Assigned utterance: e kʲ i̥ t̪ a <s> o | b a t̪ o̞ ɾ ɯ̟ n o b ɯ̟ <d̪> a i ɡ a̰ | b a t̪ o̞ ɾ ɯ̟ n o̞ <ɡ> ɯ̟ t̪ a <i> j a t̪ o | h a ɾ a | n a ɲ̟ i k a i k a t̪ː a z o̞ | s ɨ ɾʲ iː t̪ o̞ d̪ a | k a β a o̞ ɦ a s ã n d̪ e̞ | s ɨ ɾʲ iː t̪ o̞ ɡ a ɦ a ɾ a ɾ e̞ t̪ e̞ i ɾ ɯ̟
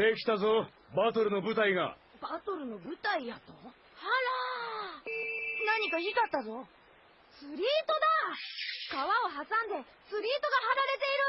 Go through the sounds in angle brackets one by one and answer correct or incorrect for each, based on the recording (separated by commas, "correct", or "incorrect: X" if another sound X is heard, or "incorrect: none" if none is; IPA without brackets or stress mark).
incorrect: z, incorrect: t̪, incorrect: b, correct